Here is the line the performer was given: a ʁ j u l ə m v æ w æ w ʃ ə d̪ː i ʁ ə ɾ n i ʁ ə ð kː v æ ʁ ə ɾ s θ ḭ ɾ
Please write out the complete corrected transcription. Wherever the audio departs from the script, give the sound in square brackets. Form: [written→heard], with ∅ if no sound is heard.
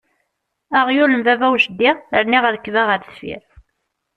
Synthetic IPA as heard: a ʁ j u l ə m v æ [w→v] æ w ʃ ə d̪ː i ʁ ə ɾ n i ʁ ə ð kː v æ ʁ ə ɾ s [θ→f] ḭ ɾ